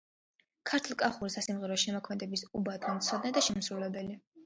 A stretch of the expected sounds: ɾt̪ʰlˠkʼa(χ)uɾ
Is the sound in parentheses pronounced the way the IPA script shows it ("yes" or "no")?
yes